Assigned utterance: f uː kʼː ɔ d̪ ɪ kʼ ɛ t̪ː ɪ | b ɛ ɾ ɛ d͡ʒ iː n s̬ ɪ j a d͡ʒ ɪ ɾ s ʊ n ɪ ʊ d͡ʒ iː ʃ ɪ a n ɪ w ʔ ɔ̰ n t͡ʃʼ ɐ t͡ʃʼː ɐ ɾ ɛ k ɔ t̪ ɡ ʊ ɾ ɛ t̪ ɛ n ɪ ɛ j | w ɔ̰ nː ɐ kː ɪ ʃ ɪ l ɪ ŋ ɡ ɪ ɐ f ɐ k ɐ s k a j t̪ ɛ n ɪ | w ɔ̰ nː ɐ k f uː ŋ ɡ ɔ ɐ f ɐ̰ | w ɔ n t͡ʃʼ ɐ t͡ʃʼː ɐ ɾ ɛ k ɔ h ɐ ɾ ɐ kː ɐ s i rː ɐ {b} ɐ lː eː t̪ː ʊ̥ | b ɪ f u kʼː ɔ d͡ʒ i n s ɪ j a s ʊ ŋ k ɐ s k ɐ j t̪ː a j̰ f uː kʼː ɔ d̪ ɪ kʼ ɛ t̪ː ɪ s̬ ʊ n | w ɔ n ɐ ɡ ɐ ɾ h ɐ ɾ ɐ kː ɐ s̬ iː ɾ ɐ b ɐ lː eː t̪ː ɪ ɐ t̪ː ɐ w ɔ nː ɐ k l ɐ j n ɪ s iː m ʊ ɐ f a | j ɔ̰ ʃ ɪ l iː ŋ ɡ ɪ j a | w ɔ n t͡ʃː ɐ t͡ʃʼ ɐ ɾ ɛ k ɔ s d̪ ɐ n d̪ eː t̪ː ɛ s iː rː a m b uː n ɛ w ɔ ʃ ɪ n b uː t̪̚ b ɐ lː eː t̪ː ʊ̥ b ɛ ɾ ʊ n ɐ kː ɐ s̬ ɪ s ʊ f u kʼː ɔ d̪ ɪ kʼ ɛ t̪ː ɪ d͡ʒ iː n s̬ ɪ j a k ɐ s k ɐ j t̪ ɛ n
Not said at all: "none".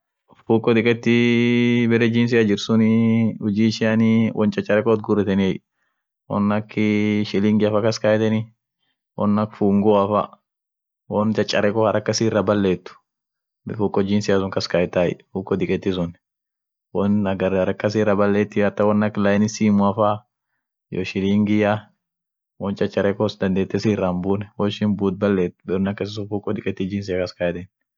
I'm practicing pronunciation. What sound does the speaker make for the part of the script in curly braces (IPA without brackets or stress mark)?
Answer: b